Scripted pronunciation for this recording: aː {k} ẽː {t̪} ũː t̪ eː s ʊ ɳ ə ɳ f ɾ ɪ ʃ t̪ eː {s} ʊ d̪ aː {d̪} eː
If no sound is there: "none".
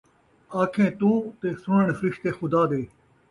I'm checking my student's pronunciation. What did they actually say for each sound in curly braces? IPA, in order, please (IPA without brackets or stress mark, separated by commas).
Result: kʰ, t̪, x, d̪